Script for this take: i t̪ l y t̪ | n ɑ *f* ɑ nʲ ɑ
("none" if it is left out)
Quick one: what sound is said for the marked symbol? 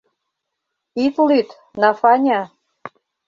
f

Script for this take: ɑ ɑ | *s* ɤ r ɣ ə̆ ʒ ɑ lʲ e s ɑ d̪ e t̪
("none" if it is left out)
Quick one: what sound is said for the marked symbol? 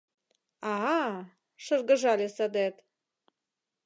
ʃ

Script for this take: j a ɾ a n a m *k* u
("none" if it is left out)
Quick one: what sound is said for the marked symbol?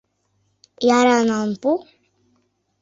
p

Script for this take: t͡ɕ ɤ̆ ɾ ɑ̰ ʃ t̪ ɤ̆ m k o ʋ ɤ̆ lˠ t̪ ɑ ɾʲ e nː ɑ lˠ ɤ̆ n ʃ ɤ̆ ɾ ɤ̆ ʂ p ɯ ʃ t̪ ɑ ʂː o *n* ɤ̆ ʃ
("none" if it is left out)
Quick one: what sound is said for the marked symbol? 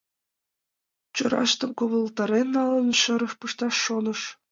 n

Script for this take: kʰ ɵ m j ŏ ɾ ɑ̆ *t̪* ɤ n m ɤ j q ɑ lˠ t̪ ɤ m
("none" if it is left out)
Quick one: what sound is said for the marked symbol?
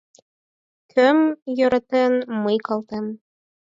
t̪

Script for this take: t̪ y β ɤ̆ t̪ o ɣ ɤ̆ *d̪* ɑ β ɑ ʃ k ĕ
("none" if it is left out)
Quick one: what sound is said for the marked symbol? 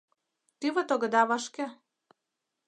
d̪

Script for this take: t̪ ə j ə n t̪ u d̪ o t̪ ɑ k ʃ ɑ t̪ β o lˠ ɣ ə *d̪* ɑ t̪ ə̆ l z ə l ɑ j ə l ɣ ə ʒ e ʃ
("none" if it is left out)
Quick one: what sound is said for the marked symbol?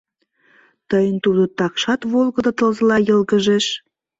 d̪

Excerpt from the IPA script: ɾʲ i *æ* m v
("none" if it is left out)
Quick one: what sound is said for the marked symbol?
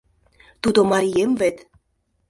e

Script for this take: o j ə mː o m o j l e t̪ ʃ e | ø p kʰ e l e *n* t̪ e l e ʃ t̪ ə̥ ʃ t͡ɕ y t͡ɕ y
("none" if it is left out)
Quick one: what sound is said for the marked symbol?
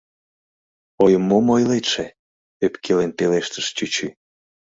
n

